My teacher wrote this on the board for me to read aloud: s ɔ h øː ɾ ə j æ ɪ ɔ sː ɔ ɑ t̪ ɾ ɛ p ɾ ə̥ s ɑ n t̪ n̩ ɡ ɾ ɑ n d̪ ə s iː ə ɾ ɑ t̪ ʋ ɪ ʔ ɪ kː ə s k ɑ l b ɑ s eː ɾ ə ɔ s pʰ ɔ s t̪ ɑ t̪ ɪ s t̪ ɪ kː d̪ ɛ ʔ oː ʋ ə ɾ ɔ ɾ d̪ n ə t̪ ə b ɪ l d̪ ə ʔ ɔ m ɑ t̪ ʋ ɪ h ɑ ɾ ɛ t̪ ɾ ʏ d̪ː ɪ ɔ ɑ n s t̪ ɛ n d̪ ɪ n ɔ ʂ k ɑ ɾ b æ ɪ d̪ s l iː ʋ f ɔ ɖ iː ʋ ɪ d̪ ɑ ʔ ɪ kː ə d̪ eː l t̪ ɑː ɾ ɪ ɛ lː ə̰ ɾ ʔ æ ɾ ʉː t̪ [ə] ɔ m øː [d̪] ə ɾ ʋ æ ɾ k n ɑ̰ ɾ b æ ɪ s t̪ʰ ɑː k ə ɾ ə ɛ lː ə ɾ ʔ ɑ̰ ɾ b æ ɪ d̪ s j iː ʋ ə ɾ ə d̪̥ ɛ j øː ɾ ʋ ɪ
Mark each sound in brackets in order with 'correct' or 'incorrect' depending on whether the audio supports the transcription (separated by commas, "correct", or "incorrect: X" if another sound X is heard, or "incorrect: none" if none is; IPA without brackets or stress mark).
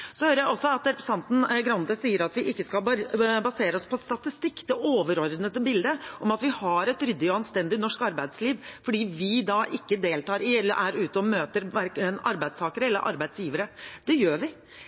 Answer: correct, incorrect: t̪